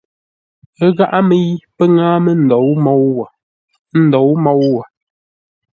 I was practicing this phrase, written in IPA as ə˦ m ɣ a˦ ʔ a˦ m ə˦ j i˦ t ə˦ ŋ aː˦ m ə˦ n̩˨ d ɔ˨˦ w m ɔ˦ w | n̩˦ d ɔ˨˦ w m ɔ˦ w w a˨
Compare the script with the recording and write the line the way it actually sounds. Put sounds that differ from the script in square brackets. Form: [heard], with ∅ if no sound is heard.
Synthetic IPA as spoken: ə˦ [∅] ɣ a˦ ʔ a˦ m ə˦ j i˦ [p] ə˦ ŋ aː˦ m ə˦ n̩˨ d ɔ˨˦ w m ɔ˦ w | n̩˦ d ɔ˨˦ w m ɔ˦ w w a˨